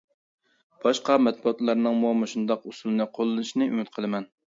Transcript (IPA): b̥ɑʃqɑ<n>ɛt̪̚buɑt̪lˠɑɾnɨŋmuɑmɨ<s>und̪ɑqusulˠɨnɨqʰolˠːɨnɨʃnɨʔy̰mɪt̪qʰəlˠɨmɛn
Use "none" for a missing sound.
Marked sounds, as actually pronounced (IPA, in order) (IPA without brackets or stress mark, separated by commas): m, ʃ